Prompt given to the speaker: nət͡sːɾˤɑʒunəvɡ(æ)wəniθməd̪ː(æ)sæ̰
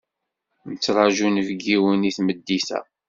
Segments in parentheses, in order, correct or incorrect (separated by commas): incorrect, incorrect